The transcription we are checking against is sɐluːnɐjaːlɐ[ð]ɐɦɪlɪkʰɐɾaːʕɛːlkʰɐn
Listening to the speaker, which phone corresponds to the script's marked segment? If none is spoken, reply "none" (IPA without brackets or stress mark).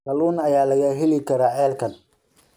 ɣ